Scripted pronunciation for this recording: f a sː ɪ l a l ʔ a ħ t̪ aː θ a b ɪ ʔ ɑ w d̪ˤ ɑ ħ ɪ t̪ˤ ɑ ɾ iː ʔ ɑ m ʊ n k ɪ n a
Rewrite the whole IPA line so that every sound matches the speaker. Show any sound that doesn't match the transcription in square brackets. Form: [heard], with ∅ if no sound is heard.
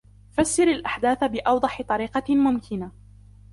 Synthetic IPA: f a sː ɪ [ɾ] a l ʔ a ħ [d̪] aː θ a b ɪ ʔ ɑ w d̪ˤ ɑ ħ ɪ t̪ˤ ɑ ɾ iː [q] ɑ m ʊ [m] k ɪ n a